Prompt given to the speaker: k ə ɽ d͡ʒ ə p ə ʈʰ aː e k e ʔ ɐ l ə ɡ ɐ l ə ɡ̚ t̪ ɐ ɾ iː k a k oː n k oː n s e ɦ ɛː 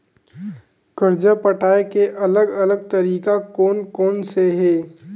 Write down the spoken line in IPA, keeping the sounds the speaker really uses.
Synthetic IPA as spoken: k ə ɾ d͡ʒ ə p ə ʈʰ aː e k e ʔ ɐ l ə ɡ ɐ l ə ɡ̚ t̪ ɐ ɾ iː k a k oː n k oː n s e ɦ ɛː